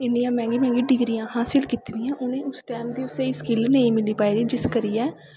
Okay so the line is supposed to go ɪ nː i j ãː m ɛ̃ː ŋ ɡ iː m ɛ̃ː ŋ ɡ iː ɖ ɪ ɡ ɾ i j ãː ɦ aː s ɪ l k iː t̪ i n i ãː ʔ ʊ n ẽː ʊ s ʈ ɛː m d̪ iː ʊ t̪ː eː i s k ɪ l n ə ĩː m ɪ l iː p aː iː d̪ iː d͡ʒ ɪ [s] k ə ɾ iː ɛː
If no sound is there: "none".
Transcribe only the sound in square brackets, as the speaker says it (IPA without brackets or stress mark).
s